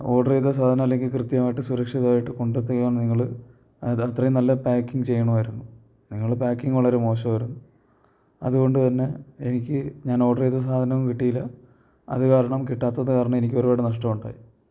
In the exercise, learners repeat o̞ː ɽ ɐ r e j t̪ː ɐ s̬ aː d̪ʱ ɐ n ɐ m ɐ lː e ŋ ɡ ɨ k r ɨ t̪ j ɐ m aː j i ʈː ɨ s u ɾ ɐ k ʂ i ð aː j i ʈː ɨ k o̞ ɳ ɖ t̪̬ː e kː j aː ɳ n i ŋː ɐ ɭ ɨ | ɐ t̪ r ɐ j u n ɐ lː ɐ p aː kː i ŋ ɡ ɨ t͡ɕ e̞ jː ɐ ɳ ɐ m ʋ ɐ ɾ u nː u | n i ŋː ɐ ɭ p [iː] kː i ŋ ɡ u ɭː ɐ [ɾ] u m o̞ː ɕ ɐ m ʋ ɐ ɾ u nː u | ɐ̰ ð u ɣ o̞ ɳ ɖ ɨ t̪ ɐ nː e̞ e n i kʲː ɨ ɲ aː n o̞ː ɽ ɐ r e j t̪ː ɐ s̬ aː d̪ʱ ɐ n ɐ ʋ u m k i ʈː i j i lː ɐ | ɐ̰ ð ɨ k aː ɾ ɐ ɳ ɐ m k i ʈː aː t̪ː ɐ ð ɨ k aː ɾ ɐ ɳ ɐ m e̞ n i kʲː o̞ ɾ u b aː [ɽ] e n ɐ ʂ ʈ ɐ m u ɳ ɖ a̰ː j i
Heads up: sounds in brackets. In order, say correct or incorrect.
incorrect: aː, correct, correct

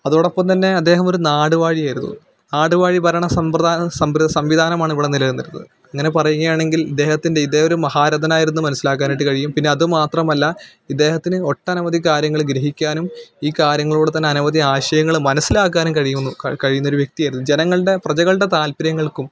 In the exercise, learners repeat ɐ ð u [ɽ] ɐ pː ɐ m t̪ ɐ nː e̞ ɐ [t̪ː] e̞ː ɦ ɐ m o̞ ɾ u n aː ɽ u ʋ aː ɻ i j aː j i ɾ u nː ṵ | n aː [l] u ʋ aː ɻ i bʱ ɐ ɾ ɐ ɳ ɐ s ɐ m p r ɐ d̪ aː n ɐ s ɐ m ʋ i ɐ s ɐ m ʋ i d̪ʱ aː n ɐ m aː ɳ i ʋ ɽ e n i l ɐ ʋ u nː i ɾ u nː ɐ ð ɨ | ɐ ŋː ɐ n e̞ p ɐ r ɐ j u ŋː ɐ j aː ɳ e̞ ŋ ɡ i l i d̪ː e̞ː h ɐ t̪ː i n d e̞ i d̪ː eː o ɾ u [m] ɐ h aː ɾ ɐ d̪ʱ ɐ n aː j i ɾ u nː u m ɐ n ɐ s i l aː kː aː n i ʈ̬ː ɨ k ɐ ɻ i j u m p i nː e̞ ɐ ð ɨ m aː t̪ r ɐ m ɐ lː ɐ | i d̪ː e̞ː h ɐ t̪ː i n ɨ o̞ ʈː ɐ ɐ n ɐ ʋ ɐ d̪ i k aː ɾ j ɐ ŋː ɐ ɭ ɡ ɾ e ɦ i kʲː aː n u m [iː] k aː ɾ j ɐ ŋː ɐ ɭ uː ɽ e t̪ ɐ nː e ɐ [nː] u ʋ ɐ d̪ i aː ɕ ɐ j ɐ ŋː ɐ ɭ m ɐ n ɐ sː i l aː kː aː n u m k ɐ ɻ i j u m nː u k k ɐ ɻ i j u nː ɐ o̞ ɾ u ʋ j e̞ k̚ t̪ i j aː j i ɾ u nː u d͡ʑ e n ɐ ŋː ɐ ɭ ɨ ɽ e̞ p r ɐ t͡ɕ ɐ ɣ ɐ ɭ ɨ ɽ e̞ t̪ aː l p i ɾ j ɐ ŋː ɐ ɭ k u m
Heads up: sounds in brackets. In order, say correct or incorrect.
correct, incorrect: d̪ː, incorrect: ɽ, correct, correct, incorrect: n

